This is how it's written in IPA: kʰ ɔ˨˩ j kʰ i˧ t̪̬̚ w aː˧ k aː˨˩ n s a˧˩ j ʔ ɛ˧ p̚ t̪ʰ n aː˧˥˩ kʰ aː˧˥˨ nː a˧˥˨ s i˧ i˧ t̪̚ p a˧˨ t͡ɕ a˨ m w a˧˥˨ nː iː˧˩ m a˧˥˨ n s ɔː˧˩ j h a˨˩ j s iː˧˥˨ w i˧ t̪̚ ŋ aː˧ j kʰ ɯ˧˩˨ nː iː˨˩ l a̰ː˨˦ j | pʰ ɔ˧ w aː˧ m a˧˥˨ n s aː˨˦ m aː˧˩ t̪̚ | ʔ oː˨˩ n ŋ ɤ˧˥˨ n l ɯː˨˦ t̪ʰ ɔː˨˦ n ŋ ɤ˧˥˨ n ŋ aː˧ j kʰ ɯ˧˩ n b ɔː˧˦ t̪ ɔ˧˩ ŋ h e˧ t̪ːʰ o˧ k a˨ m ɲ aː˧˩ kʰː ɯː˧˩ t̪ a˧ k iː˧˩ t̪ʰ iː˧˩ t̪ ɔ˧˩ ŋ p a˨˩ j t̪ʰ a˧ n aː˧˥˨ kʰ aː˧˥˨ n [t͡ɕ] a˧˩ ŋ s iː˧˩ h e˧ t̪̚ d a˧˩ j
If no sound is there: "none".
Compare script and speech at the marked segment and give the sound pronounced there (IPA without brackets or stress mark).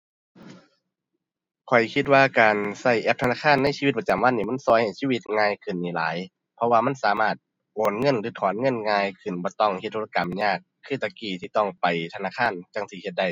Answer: t͡ɕ